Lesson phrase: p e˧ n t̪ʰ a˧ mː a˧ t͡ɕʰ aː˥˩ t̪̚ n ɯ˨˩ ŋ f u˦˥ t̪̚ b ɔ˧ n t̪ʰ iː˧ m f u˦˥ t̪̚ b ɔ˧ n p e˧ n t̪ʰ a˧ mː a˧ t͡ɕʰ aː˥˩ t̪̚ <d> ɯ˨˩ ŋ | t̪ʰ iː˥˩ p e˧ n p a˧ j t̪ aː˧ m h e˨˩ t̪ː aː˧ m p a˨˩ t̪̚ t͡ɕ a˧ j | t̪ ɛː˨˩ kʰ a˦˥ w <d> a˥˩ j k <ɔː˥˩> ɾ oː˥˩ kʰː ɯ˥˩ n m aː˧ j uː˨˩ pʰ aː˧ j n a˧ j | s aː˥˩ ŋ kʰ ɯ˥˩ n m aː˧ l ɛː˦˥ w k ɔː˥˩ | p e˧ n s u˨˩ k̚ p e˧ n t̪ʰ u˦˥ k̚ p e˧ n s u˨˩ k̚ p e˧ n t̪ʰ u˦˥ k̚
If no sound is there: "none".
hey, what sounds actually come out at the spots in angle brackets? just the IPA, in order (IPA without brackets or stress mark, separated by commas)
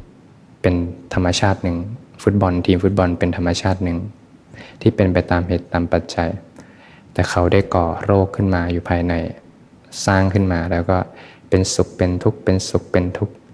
n, d, ɔː˨˩